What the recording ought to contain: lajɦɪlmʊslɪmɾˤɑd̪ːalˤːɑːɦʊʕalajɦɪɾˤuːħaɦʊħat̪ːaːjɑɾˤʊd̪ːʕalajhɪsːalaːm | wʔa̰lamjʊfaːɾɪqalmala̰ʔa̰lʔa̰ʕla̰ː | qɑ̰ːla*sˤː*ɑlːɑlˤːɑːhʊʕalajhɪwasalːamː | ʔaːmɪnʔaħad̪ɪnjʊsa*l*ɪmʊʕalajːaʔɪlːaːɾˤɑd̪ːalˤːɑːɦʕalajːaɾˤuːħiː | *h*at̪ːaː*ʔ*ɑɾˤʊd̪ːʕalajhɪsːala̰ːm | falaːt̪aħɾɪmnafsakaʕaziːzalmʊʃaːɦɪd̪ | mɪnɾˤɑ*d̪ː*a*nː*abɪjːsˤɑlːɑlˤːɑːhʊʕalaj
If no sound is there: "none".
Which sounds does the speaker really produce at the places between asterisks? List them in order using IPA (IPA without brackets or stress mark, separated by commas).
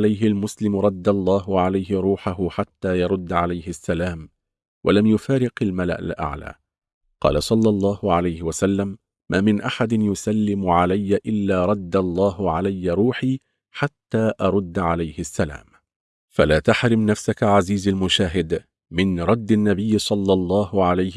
sˤ, lː, ħ, ʔ, d̪ː, nː